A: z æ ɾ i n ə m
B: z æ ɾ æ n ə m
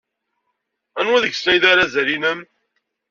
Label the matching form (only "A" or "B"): A